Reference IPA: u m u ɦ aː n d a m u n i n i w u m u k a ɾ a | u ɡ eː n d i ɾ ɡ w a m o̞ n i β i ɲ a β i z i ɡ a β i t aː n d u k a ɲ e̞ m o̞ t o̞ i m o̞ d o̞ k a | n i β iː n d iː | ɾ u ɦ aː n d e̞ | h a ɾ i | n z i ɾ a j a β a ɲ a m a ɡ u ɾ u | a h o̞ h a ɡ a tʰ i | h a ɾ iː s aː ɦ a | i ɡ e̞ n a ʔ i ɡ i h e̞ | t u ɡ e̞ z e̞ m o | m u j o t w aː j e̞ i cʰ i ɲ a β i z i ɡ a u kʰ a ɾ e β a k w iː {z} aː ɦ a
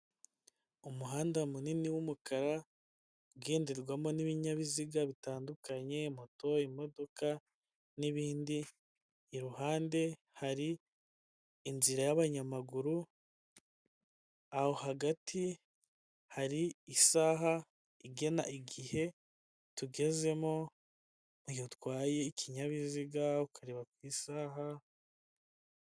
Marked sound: incorrect: s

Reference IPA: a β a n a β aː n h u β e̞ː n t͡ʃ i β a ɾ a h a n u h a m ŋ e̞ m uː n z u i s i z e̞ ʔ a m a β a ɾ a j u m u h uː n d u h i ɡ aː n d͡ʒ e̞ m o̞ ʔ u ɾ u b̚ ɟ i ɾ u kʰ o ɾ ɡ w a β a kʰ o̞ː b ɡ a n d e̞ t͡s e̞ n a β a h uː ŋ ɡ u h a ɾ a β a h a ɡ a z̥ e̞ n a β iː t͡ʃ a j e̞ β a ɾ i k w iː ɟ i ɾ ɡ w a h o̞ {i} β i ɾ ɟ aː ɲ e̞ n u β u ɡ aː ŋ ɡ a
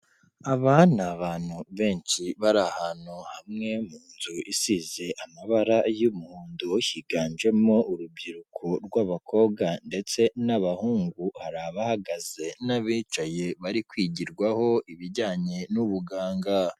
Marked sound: correct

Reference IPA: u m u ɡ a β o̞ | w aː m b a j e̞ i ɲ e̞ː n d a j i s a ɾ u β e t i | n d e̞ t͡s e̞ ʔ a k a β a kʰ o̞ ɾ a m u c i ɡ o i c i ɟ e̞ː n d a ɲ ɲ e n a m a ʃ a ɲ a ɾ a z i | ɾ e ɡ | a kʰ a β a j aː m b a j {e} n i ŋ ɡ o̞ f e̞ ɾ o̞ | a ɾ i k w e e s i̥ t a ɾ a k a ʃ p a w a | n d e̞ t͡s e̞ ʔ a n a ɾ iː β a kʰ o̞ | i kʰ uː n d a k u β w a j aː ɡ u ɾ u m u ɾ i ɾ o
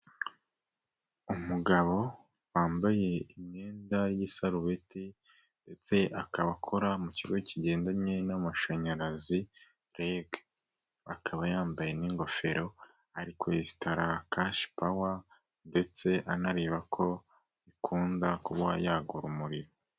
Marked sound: correct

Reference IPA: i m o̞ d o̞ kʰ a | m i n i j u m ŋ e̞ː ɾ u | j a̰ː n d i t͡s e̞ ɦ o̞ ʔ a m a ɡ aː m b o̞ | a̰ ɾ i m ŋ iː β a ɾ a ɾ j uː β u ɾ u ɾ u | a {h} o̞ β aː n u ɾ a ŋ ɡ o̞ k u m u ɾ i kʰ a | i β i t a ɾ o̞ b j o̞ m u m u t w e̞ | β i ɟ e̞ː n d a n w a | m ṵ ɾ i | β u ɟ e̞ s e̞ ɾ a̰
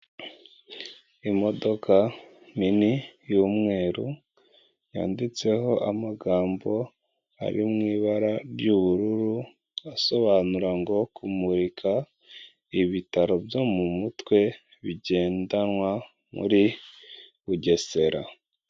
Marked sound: incorrect: s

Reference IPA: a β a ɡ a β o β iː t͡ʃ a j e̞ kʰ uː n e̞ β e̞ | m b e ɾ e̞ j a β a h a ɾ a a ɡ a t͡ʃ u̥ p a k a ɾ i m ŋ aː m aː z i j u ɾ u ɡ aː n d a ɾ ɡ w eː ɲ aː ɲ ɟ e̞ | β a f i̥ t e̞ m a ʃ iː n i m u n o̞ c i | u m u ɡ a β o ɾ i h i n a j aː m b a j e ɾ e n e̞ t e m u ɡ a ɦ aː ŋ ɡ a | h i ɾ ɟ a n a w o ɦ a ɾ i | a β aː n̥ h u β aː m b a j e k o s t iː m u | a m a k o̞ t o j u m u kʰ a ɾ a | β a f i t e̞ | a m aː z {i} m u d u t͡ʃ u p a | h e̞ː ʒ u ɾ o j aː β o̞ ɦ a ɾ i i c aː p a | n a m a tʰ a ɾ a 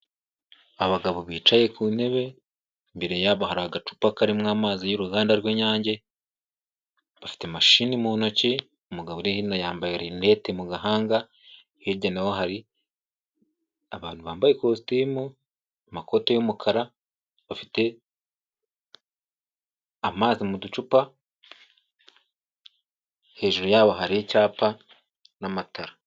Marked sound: correct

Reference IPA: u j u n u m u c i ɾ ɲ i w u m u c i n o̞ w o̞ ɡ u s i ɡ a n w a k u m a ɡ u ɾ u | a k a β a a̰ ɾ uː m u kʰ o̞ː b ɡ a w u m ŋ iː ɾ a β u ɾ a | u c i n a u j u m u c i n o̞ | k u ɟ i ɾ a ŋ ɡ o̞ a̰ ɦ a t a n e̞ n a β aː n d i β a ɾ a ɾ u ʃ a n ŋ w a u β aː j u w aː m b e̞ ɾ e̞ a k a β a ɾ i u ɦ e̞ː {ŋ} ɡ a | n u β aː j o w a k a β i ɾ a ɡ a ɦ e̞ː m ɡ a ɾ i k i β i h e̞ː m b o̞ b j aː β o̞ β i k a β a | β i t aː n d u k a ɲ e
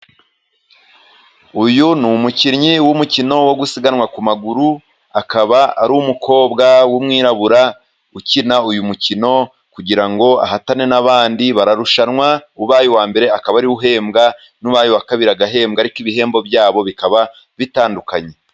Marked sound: incorrect: m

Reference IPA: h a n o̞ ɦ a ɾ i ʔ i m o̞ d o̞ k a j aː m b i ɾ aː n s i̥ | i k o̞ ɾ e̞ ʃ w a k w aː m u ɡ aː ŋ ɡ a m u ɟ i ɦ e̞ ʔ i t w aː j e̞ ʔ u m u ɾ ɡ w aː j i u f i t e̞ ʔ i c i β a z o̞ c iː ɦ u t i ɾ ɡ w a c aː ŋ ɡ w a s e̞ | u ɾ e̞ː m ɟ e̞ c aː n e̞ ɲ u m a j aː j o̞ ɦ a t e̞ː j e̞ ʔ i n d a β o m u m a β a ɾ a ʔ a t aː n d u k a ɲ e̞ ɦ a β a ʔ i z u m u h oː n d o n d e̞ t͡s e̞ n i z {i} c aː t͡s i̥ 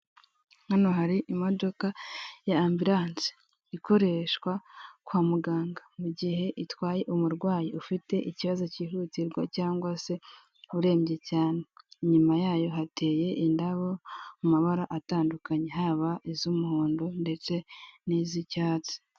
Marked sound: correct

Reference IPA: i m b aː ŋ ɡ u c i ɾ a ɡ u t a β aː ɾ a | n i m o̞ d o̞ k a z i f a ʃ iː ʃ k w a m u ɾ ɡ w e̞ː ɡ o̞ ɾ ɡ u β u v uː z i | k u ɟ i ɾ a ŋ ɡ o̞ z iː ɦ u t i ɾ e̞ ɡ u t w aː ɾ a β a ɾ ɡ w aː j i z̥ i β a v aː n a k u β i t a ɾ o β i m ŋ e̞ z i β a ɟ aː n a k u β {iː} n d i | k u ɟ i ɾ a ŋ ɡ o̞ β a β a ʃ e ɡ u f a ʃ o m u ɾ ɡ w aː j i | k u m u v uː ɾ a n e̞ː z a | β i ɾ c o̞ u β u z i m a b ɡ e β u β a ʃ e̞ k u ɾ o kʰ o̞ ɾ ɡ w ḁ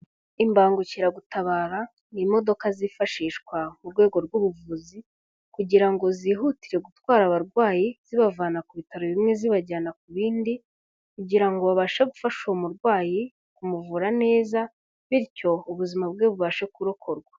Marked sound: correct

